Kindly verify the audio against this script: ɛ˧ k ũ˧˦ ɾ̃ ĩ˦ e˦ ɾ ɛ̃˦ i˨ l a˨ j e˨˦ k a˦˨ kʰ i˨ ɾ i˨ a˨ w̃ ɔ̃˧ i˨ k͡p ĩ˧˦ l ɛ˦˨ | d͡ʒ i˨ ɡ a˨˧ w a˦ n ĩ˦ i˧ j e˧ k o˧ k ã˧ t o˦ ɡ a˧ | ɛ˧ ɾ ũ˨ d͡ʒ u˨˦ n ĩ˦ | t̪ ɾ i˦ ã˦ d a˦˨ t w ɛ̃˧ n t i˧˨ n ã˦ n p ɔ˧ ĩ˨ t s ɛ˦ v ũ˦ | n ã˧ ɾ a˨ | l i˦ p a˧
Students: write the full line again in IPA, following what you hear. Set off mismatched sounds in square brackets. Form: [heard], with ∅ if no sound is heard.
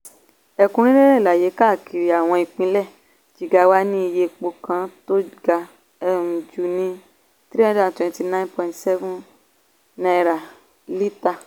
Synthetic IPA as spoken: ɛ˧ k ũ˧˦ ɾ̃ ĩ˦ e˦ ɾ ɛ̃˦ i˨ l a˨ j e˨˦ k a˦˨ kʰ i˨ ɾ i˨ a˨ w̃ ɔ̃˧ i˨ k͡p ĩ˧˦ l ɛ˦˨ | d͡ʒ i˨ ɡ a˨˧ w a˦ n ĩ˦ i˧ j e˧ [k͡p] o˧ k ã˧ t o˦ ɡ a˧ | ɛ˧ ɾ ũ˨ d͡ʒ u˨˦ n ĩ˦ | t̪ ɾ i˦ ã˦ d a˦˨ t w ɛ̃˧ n t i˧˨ n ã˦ n p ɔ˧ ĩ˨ t s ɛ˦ v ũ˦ | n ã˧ ɾ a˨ | l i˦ [t] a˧